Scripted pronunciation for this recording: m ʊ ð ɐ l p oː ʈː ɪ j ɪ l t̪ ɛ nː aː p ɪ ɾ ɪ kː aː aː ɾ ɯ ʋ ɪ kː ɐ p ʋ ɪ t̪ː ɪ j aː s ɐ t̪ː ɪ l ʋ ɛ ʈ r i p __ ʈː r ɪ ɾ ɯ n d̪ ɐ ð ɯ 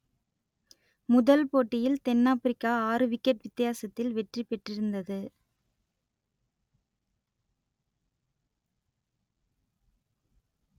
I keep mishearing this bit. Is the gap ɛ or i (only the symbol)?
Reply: ɛ